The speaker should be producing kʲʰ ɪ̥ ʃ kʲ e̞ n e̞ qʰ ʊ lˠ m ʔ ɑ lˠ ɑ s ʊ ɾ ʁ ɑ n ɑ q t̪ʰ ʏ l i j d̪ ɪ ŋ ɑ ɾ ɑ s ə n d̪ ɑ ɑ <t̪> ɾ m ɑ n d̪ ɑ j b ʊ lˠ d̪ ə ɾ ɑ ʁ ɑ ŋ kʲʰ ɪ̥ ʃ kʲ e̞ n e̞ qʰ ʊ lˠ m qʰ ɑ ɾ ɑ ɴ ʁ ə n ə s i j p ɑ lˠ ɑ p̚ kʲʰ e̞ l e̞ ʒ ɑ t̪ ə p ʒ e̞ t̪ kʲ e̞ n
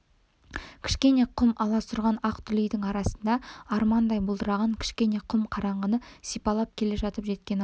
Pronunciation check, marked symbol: incorrect: none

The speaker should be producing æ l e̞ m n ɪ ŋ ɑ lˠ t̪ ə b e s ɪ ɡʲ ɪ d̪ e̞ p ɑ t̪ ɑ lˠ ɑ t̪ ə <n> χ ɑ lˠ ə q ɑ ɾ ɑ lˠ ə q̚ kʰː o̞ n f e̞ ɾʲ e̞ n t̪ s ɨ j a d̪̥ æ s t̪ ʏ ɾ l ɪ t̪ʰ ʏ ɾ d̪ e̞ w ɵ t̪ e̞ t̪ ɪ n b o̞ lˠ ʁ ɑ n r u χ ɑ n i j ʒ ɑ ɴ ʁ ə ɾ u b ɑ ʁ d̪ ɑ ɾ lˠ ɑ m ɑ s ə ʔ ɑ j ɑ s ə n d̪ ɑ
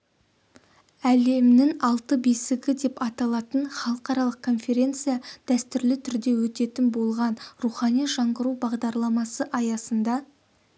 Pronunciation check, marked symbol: correct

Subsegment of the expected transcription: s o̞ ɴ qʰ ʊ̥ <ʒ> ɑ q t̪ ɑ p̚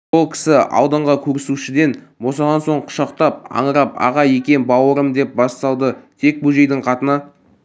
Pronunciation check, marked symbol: incorrect: ʃ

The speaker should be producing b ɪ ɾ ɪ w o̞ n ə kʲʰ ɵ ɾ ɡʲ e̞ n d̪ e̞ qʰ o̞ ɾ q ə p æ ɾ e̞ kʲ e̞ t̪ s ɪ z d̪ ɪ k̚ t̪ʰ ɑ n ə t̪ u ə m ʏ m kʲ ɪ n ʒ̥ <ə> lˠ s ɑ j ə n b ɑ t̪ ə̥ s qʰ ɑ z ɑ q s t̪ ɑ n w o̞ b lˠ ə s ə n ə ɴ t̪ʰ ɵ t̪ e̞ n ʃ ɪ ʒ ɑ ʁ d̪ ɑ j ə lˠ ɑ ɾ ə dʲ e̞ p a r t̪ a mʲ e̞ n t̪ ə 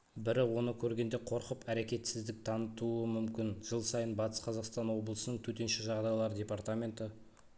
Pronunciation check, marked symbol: correct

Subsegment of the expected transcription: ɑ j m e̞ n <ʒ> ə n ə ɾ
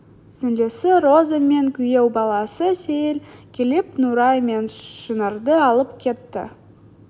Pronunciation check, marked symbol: incorrect: ʃ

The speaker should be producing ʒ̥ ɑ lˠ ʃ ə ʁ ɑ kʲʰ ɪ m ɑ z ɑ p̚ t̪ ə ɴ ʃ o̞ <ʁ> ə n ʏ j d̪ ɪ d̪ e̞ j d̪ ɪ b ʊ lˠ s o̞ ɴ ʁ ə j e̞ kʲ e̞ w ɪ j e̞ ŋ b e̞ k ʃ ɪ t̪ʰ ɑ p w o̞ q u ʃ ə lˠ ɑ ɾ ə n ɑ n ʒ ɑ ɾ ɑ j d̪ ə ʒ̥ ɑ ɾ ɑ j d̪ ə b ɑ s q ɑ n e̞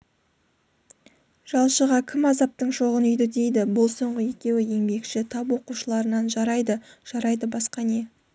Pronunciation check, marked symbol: correct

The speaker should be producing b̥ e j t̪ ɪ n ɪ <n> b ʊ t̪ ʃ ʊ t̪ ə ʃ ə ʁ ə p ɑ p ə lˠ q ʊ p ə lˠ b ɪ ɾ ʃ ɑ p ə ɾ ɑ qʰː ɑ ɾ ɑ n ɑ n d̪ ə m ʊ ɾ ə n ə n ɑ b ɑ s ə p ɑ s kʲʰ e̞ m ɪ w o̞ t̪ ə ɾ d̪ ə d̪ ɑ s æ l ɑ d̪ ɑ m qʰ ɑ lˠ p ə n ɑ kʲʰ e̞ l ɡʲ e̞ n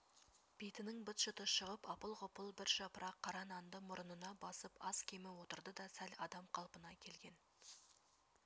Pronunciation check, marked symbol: incorrect: ŋ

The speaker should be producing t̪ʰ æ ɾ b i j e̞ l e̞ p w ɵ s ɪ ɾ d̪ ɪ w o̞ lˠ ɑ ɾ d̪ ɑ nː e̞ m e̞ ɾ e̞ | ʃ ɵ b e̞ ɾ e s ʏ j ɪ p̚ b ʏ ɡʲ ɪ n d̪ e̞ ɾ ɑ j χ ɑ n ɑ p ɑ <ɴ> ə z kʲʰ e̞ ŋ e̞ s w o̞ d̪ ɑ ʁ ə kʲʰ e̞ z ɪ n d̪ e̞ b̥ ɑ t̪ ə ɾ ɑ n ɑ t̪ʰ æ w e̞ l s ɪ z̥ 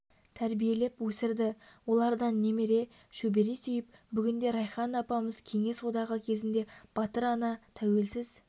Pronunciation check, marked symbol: incorrect: m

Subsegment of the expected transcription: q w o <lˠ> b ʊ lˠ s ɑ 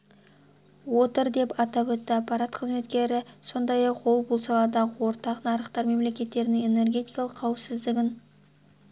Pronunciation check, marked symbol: correct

